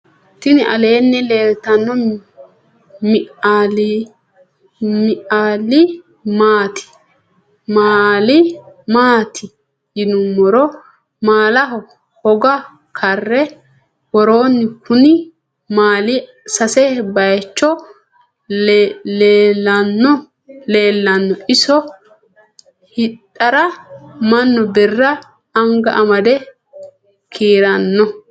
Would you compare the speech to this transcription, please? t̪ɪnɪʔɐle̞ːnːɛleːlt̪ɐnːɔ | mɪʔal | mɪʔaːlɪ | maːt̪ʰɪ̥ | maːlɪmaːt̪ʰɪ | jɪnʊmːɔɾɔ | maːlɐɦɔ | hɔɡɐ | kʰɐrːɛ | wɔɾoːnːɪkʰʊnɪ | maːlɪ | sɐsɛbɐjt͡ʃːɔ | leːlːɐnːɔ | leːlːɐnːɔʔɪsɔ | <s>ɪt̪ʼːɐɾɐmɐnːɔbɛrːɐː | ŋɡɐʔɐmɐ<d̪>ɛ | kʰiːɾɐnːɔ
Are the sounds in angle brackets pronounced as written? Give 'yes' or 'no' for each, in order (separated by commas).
no, yes